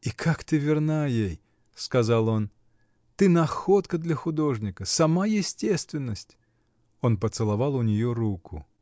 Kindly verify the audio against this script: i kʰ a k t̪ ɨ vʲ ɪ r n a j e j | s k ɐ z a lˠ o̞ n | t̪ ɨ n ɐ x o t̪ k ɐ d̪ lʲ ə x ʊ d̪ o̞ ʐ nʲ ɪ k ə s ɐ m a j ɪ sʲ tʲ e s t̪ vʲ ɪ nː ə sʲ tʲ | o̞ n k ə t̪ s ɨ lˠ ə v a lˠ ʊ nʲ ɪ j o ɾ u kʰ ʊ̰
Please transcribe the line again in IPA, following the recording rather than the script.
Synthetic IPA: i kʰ a k t̪ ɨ vʲ ɪ r n a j e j | s k ɐ z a lˠ o̞ n | t̪ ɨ n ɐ x o t̪ k ə d̪ lʲ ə x ʊ d̪ o̞ ʐ nʲ ɪ k ə s ɐ m a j ɪ sʲ tʲ e s t̪ vʲ ɪ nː ə sʲ tʲ | o̞ n p ə t̪ s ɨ lˠ ɐ v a lˠ ʊ nʲ ɪ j o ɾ u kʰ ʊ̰